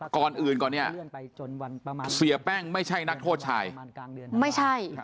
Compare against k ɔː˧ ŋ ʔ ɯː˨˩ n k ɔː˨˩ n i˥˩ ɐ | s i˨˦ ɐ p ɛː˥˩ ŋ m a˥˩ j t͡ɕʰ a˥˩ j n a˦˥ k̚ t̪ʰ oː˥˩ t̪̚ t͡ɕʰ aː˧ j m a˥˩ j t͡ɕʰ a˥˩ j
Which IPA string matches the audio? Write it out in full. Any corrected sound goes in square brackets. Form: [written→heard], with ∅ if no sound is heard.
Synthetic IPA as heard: k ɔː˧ [ŋ→n] ʔ ɯː˨˩ n k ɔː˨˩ n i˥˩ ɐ | s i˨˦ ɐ p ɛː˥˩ ŋ m a˥˩ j t͡ɕʰ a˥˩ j n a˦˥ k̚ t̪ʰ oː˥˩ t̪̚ t͡ɕʰ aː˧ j m a˥˩ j t͡ɕʰ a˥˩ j